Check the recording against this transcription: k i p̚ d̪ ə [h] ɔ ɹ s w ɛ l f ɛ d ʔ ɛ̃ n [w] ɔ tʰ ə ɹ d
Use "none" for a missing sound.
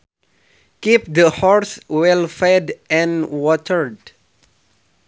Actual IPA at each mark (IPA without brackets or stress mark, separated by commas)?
h, w